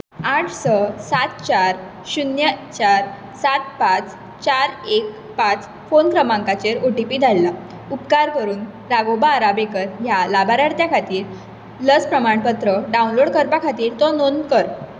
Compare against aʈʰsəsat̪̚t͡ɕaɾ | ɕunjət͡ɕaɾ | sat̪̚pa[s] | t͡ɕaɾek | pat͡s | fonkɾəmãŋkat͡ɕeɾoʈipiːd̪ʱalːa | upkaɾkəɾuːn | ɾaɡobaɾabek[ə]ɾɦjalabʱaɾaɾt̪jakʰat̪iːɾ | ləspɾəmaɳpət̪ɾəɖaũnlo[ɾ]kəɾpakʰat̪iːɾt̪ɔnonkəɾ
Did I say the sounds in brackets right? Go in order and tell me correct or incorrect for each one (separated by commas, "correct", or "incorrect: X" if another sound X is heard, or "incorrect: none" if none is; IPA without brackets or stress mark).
incorrect: t͡s, correct, incorrect: ɽ